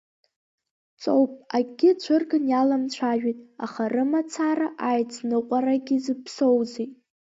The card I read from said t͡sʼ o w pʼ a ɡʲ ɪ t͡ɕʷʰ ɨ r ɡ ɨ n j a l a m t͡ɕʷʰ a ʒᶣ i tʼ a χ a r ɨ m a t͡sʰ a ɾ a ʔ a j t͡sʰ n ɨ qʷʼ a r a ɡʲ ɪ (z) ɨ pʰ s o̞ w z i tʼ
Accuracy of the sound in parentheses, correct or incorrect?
correct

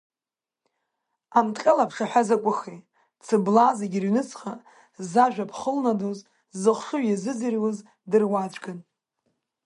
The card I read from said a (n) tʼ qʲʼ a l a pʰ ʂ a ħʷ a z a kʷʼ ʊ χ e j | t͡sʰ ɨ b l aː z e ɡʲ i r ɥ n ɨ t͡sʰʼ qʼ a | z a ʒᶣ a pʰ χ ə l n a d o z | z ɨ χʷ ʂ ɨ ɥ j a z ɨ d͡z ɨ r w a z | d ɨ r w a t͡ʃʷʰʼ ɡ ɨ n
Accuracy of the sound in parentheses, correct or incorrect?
incorrect: m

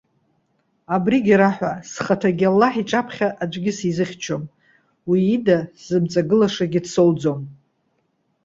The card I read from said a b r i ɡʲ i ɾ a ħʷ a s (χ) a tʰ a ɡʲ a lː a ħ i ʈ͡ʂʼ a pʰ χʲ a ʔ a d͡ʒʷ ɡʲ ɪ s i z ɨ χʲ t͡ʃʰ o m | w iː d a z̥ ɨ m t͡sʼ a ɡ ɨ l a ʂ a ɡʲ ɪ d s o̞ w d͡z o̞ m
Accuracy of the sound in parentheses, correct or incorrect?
correct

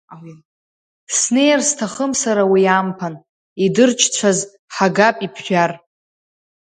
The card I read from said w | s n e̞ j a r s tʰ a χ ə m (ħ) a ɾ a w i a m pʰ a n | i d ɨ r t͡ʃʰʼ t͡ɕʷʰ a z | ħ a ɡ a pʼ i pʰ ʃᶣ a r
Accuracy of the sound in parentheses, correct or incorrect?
incorrect: s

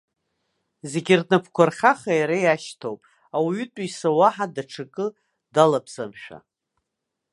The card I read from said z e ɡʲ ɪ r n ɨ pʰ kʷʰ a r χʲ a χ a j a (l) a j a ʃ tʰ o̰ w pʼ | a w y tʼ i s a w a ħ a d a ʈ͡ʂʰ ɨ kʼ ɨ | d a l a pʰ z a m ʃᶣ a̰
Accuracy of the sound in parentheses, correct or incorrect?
incorrect: ɾ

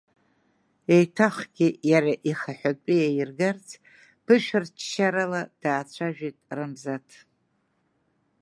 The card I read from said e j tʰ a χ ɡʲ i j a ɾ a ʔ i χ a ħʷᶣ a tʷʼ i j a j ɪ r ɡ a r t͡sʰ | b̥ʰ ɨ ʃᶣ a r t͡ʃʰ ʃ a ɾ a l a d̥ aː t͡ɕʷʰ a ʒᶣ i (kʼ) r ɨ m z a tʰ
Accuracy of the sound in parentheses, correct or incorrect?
incorrect: tʼ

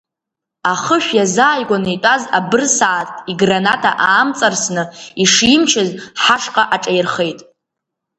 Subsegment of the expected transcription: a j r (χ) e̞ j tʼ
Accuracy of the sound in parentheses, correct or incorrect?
correct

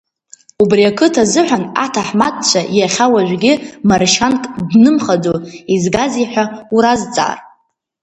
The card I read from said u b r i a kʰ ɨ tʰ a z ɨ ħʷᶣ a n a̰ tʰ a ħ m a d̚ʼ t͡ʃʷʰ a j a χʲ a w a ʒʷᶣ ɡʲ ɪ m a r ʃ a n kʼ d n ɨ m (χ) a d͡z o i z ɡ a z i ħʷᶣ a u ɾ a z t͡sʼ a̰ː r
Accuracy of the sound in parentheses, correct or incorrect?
correct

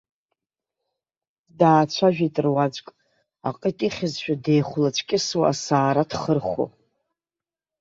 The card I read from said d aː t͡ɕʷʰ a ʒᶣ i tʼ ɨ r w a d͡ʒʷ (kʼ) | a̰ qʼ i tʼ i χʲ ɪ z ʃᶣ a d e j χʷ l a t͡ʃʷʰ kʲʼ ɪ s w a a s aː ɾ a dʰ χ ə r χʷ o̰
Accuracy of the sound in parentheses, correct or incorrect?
correct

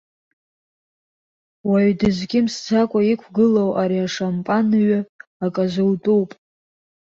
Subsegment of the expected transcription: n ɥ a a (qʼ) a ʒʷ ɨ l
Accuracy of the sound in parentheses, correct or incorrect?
incorrect: kʼ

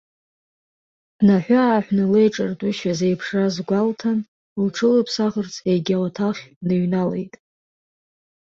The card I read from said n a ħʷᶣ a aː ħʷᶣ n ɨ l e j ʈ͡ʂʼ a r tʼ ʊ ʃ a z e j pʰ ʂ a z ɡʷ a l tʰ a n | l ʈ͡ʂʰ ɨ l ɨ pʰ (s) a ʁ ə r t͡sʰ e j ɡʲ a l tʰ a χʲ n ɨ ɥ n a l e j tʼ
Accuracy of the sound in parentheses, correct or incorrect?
correct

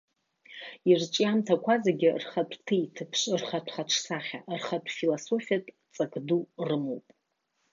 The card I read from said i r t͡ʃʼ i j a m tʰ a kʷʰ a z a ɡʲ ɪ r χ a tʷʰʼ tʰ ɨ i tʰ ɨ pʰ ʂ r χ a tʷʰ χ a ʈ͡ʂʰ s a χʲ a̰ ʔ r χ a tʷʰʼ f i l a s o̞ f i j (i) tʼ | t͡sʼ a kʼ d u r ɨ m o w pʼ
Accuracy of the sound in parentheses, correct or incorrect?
incorrect: a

